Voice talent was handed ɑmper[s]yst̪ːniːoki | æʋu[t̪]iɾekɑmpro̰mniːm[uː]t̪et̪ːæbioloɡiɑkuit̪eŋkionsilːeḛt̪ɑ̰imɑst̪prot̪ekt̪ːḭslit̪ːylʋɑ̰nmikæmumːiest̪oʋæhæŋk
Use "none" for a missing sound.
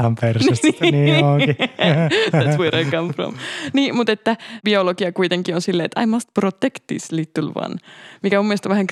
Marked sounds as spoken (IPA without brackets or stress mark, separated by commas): s, none, u